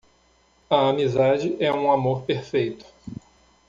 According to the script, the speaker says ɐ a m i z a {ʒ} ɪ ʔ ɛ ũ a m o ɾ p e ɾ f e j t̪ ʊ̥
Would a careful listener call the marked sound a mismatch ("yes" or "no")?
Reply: yes